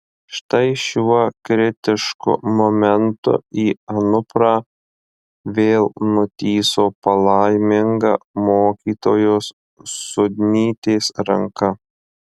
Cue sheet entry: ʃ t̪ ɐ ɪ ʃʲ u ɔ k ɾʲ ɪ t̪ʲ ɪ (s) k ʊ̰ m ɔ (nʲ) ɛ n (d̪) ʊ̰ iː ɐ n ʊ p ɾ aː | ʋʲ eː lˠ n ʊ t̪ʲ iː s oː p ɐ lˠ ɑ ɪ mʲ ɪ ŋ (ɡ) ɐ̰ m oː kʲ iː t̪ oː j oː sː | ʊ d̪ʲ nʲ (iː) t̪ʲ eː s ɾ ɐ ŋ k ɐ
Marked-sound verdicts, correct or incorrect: incorrect: ʃ, incorrect: mʲ, incorrect: t̪, correct, correct

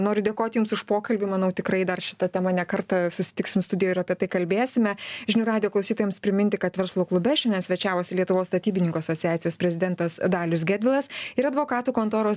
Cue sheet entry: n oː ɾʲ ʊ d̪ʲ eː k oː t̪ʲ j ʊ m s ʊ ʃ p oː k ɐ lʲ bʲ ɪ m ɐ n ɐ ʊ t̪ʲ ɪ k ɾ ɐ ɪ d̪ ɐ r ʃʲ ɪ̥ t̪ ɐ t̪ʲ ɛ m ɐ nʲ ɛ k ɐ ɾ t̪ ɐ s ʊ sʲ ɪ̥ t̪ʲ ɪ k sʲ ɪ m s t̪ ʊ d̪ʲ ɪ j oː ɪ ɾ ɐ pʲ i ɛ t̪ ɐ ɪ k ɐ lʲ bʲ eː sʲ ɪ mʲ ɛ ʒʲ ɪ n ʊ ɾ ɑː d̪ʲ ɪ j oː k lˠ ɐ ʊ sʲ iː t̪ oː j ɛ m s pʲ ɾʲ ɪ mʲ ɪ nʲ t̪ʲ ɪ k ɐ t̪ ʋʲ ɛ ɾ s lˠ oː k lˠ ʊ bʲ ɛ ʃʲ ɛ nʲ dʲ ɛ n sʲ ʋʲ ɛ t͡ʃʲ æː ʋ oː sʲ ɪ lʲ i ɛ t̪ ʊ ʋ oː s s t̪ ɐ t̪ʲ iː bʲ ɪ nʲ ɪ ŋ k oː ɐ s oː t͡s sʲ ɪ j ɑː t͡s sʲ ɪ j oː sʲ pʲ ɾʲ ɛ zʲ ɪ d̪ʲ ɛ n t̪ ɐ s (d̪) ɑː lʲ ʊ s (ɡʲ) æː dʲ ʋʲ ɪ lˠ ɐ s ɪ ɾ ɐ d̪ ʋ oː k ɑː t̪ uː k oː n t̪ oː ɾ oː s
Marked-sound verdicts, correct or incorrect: correct, correct

